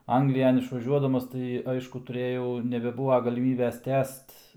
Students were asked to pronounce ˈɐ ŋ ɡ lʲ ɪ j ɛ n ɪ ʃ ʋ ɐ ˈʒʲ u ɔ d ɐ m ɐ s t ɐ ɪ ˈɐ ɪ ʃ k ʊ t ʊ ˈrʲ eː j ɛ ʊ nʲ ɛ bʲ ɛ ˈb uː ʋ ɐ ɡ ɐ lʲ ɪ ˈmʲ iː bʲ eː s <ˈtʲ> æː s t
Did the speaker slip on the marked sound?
no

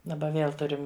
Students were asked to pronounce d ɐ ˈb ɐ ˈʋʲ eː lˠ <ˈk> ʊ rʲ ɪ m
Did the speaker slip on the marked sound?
yes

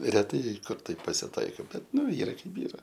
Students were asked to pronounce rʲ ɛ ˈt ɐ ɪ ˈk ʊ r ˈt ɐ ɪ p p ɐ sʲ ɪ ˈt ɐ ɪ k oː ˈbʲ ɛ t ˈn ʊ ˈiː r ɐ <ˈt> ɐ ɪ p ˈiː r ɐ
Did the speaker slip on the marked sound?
yes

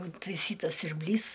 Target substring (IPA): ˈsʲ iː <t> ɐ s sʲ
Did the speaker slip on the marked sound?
no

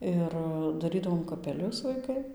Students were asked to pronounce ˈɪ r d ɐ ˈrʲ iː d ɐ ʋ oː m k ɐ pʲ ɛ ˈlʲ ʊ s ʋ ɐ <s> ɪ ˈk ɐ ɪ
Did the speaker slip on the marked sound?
yes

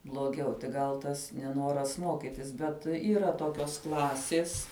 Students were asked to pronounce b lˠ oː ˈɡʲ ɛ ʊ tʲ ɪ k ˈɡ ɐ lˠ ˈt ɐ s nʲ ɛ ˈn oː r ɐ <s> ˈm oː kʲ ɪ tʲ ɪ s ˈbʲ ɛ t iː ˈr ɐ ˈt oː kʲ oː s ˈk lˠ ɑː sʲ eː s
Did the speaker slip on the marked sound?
no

